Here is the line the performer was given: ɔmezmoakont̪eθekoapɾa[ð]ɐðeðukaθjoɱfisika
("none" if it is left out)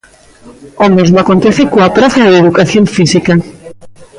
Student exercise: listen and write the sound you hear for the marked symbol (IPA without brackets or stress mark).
θ